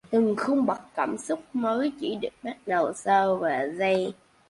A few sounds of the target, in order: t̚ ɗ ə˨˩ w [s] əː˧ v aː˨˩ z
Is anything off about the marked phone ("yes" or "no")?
no